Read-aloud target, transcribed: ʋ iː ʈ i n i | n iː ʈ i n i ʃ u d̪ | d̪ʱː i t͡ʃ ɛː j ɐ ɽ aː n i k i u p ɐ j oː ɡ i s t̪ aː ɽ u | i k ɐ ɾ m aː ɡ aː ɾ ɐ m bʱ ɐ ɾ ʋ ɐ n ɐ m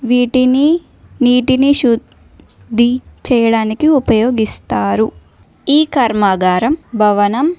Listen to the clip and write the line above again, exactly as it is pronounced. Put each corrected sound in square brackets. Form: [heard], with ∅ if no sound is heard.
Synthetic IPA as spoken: ʋ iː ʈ i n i | n iː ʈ i n i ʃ u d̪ | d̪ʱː i t͡ʃ ɛː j ɐ ɽ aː n i k i u p ɐ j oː ɡ i s t̪ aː [ɾ] u | [iː] k ɐ ɾ m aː ɡ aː ɾ ɐ m bʱ ɐ [∅] ʋ ɐ n ɐ m